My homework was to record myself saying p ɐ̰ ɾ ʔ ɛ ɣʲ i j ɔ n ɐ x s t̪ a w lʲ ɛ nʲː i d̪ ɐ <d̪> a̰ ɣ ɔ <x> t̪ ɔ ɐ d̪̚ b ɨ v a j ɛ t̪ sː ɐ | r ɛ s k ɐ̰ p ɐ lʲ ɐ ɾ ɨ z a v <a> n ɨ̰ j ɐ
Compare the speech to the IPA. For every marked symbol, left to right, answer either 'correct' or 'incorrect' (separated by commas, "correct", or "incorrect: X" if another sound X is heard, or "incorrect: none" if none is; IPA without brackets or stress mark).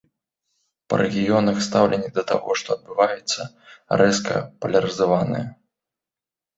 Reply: incorrect: t̪, incorrect: ʂ, correct